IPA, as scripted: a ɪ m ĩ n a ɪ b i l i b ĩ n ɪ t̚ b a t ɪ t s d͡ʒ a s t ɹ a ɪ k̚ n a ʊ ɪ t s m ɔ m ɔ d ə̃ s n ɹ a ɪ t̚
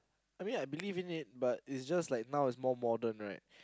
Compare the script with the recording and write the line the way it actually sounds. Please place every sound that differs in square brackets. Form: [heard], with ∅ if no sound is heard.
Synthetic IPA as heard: a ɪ m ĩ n a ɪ b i l i [v] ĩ n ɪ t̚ b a t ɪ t s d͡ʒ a s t [l] a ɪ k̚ n a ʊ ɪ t s m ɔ m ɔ d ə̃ [∅] n ɹ a ɪ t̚